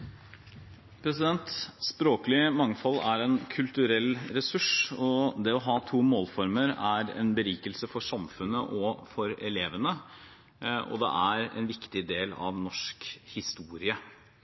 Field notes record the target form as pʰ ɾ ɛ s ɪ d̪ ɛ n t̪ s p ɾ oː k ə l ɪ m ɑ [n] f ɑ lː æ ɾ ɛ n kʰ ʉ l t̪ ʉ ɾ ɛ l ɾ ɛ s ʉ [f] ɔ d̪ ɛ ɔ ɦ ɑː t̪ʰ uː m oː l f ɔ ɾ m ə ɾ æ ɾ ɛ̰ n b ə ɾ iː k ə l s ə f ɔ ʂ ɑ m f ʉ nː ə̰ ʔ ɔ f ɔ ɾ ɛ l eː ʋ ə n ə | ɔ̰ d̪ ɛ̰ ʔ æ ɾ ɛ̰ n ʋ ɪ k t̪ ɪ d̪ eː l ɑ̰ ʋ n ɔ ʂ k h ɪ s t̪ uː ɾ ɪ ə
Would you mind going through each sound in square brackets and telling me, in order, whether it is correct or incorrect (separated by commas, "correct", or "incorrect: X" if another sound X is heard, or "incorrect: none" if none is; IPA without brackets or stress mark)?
incorrect: ŋ, incorrect: ʂ